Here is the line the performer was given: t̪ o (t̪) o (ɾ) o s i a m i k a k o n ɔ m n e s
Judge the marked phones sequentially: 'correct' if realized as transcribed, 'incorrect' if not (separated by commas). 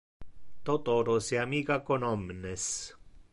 correct, correct